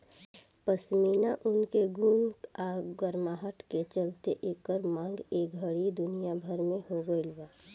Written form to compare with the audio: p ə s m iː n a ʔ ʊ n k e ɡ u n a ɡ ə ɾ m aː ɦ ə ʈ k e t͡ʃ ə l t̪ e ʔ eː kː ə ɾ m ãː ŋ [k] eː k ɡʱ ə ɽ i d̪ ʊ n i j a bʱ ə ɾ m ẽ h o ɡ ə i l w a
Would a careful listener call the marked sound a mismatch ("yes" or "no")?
yes